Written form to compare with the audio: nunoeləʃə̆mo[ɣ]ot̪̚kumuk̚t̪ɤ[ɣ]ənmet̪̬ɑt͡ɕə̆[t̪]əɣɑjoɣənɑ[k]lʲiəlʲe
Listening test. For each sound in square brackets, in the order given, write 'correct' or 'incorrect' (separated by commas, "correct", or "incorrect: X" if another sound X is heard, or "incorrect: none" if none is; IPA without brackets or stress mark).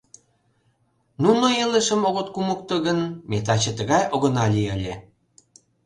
correct, correct, correct, incorrect: none